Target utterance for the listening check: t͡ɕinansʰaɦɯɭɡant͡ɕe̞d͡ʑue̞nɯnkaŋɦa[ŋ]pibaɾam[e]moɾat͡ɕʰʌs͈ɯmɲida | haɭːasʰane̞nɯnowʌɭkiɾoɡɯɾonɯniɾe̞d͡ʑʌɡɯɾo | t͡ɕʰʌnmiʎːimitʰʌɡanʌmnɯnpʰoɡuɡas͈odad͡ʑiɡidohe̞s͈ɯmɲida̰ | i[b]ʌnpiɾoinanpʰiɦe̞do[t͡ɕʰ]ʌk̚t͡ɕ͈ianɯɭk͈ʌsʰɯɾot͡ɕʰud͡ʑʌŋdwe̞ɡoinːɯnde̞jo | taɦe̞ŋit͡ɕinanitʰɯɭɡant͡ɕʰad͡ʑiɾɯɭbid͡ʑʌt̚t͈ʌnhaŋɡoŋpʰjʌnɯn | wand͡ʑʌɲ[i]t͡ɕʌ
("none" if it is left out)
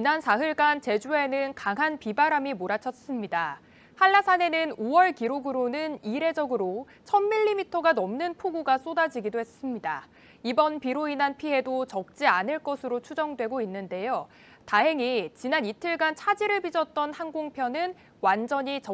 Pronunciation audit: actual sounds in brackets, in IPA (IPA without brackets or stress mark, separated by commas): n, i, b, t͡ɕ, i